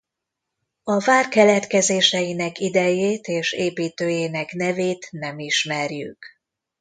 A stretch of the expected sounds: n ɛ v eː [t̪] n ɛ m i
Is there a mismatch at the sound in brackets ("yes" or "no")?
no